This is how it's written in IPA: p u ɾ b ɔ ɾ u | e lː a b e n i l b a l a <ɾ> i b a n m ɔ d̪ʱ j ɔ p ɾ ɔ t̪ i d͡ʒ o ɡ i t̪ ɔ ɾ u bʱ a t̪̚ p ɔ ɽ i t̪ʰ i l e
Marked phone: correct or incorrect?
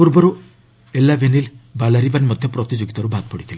correct